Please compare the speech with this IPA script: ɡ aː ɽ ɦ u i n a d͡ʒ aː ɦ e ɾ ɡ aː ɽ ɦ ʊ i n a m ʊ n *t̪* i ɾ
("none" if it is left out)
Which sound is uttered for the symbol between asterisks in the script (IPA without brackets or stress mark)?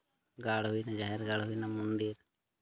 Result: d̪